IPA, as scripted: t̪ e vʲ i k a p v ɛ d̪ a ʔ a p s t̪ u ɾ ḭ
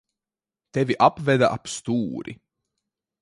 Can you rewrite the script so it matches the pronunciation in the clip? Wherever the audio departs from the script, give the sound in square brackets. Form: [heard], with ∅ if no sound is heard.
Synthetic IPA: t̪ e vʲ i [ʔ] a p v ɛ d̪ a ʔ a p s t̪ [uː] ɾ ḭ